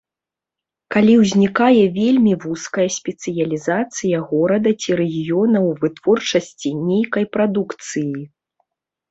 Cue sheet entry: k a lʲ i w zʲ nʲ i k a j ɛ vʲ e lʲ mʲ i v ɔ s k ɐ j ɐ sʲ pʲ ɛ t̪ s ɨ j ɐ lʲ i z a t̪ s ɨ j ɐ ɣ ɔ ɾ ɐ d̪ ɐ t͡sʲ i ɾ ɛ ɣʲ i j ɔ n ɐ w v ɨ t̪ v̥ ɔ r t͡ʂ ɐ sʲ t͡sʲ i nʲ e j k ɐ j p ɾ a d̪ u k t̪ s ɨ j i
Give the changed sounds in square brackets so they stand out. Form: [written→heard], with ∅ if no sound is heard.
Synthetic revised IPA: k a lʲ i w zʲ nʲ i k a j ɛ vʲ e lʲ mʲ i v [ɔ→u] s k ɐ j ɐ sʲ pʲ ɛ t̪ s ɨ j ɐ lʲ i z a t̪ s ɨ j ɐ ɣ ɔ ɾ ɐ d̪ ɐ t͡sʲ i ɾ ɛ ɣʲ i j ɔ n ɐ w v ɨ t̪ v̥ ɔ r t͡ʂ ɐ sʲ t͡sʲ i nʲ e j k ɐ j p ɾ a d̪ u k t̪ s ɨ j i

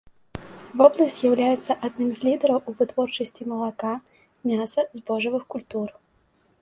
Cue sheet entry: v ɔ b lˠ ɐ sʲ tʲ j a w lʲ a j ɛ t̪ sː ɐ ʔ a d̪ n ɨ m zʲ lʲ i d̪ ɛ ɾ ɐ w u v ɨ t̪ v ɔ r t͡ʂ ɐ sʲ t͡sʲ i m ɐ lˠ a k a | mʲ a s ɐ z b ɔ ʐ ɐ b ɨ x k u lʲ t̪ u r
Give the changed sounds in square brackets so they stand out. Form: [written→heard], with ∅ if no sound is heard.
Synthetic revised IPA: v ɔ b lˠ ɐ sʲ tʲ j a w lʲ a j ɛ t̪ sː ɐ ʔ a d̪ n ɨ m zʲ lʲ i d̪ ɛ ɾ ɐ w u v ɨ t̪ v ɔ r t͡ʂ ɐ sʲ t͡sʲ i m ɐ lˠ a k a | mʲ a s ɐ z b ɔ ʐ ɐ [b→v] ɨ x k u lʲ t̪ u r

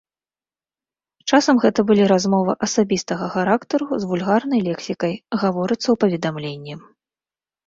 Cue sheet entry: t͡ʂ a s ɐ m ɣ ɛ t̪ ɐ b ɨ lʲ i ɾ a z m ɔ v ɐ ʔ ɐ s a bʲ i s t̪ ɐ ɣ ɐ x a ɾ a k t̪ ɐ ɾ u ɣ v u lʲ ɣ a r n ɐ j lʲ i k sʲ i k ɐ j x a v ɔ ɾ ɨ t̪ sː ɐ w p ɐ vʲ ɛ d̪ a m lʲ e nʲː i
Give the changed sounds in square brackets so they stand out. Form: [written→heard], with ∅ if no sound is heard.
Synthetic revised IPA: t͡ʂ a s ɐ m ɣ ɛ t̪ ɐ b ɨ lʲ i ɾ a z m ɔ v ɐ ʔ ɐ s a bʲ i s t̪ ɐ ɣ ɐ x a ɾ a k t̪ ɐ ɾ u [ɣ→z] v u lʲ ɣ a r n ɐ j lʲ [i→ɛ] k sʲ i k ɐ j [x→ɣ] a v ɔ ɾ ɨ t̪ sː ɐ w p ɐ vʲ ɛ d̪ a m lʲ e nʲː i

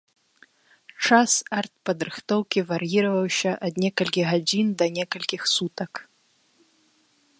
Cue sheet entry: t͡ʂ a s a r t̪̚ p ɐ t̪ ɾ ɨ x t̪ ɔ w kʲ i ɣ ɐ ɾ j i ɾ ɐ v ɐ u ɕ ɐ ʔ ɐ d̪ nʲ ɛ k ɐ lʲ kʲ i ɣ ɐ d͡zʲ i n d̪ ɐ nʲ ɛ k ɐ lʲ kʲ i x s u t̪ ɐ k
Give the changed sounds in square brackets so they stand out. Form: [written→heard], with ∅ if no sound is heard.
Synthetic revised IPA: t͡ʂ a s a r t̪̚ p ɐ [t̪→d̪] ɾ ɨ x t̪ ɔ w kʲ i [ɣ→v] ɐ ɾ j i ɾ ɐ v ɐ [u→w] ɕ ɐ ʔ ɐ d̪ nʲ ɛ k ɐ lʲ kʲ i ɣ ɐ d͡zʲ i n d̪ ɐ nʲ ɛ k ɐ lʲ kʲ i x s u t̪ ɐ k

